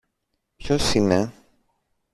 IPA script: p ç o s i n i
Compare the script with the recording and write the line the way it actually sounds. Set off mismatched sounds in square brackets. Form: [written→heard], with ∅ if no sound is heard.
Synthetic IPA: p ç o s i n [i→e]

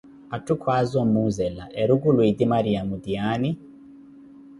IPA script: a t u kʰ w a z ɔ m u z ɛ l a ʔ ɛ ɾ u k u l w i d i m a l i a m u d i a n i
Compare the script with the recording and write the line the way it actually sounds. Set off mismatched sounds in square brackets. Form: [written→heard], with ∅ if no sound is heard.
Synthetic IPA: a t u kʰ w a z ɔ m u z ɛ l a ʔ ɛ ɾ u [k→ɡ] u l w i d i m a [l→ɾ] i a m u d i a n i

